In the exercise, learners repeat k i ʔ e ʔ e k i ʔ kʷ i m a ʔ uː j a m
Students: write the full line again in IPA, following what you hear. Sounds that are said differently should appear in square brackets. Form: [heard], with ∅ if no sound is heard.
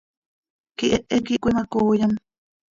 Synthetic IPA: k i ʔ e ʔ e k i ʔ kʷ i m a [k] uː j a m